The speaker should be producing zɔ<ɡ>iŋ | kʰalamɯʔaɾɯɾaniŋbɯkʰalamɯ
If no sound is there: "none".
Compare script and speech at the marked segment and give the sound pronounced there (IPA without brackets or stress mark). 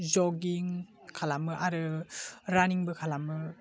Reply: ɡ